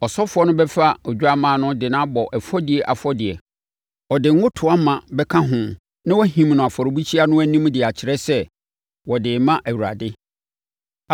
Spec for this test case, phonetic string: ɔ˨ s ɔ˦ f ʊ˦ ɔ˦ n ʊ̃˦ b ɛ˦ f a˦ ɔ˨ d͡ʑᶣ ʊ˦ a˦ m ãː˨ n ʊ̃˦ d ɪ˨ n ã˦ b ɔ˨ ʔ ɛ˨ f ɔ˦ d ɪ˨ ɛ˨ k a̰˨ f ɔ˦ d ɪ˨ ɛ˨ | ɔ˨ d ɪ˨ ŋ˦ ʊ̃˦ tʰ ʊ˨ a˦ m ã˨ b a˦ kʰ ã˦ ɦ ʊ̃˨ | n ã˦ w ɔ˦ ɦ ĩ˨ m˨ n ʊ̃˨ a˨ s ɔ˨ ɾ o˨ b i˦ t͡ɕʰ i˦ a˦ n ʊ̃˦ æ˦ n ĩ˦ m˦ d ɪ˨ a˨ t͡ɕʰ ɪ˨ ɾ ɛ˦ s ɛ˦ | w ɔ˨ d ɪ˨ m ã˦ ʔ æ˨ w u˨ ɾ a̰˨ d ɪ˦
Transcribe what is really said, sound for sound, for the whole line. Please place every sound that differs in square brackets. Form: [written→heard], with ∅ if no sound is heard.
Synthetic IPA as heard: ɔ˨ s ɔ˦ f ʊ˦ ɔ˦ n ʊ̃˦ b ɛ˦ f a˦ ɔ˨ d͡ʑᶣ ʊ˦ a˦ m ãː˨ n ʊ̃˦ d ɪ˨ n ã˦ b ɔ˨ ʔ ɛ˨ f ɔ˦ d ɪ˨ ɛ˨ [k→ʔ] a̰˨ f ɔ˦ d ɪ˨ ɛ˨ | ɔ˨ d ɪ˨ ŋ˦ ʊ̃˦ tʰ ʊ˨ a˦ m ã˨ b [a˦→ɛ˦] kʰ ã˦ ɦ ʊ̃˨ | n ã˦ w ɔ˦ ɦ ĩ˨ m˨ n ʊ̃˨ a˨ [s→f] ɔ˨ ɾ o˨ b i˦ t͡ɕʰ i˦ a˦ n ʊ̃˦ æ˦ n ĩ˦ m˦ d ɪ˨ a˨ t͡ɕʰ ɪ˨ ɾ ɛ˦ s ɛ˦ | w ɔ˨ d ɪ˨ m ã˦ ʔ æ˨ w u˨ ɾ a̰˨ d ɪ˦

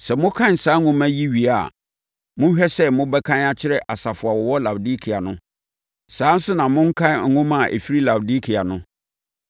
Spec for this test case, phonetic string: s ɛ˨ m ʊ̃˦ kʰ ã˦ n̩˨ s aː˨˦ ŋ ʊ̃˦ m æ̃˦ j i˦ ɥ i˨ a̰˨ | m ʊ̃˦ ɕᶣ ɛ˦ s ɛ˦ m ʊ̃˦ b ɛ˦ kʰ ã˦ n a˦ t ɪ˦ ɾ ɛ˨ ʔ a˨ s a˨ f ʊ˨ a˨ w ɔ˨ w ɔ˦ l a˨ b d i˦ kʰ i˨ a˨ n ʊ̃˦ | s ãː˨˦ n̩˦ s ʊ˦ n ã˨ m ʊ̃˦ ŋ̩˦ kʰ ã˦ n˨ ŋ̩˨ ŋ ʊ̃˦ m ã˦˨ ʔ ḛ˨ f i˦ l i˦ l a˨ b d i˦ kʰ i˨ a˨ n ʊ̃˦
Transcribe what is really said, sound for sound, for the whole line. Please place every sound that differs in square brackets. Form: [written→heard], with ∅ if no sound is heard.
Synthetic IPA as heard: s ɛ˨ m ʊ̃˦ kʰ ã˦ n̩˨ s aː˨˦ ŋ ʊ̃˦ m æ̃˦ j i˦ ɥ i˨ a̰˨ | m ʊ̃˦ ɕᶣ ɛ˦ s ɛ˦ m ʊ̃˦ b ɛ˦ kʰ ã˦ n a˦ [t→t͡ɕʰ] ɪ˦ ɾ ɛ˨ ʔ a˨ s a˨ f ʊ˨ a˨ w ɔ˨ w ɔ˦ l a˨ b d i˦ kʰ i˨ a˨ n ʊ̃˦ | s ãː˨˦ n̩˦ s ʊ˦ n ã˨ m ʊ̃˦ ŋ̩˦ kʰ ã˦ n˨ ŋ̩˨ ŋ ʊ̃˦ m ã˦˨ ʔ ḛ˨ f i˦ [l→ɾ] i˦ l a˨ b d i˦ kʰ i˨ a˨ n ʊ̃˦

